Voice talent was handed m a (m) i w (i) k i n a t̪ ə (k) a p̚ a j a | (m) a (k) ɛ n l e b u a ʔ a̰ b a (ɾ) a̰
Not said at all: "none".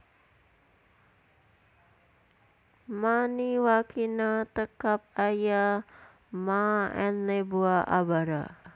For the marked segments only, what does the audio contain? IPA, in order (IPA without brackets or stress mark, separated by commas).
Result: n, a, k, m, none, ɾ